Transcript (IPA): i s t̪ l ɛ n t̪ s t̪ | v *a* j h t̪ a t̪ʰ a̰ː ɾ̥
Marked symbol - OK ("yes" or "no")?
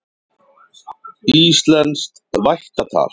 yes